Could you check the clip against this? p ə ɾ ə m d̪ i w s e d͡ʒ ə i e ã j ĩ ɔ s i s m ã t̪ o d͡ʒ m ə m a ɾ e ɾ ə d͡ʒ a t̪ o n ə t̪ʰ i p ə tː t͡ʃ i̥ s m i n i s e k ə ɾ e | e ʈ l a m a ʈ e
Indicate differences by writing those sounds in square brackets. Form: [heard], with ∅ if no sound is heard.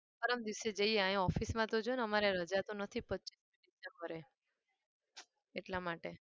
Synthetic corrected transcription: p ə ɾ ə m d̪ i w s e d͡ʒ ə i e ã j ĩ ɔ [f] i s m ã t̪ o d͡ʒ [n] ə m a ɾ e ɾ ə d͡ʒ a t̪ o n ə t̪ʰ i p ə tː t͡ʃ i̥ s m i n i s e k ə ɾ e | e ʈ l a m a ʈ e